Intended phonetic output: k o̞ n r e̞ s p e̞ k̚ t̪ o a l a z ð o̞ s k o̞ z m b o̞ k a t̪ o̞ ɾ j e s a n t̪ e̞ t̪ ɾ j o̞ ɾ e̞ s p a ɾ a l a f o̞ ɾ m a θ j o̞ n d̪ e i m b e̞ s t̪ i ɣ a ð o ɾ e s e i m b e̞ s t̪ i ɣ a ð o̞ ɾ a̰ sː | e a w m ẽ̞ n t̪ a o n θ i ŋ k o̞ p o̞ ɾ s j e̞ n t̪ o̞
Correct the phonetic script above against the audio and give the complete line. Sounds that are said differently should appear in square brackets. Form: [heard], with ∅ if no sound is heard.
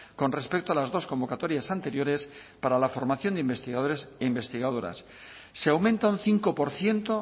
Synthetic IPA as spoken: k o̞ n r e̞ s p e̞ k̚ t̪ o a l a z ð o̞ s k o̞ [∅] m b o̞ k a t̪ o̞ ɾ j [a] s a n t̪ e̞ [∅] ɾ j o̞ ɾ e̞ s p a ɾ a l a f o̞ ɾ m a θ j o̞ n d̪ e i m b e̞ s t̪ i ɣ a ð o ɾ e s e i m b e̞ s t̪ i ɣ a ð o̞ ɾ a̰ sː | e a w m ẽ̞ n t̪ a [u] n θ i ŋ k o̞ p o̞ ɾ [θ] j e̞ n t̪ o̞